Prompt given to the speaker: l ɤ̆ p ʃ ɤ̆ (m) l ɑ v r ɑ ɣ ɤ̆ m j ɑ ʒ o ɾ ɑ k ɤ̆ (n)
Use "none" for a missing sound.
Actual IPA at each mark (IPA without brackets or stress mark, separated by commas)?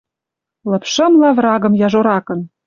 m, n